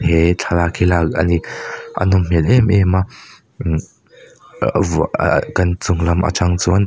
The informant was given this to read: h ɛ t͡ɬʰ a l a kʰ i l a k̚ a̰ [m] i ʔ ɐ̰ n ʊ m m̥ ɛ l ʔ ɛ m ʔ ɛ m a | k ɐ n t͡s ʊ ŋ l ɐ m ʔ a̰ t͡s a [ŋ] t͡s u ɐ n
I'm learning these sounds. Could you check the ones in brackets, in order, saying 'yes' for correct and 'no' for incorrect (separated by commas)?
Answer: no, yes